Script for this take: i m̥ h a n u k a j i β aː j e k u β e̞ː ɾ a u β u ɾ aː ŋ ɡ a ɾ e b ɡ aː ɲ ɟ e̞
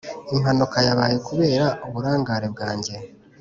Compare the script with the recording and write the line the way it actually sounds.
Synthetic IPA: i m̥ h a n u k a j a β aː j e k u β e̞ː ɾ a u β u ɾ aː ŋ ɡ a ɾ e b ɡ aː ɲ ɟ e̞